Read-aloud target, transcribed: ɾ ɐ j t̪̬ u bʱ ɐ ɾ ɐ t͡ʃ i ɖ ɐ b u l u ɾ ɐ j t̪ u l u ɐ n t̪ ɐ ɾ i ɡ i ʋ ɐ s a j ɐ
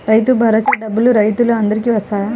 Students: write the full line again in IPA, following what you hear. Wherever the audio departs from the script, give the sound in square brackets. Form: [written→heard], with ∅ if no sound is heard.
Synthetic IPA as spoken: ɾ ɐ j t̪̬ u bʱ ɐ ɾ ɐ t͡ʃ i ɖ ɐ b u l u ɾ ɐ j t̪ u l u ɐ n [t̪→d̪] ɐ ɾ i [ɡ→k] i ʋ ɐ s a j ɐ